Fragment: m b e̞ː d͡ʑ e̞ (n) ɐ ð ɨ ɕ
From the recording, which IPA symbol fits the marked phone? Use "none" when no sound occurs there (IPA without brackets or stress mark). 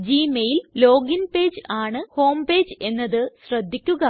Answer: nː